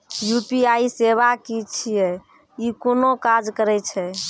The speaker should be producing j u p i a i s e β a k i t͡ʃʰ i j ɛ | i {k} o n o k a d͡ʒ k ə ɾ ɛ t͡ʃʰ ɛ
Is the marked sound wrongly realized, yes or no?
no